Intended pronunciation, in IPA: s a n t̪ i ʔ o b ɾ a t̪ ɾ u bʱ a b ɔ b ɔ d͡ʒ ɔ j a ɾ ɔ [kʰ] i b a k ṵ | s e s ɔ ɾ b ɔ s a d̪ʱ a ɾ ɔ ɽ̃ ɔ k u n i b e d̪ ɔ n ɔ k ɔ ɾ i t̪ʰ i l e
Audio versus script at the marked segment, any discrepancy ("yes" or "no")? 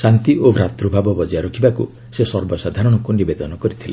no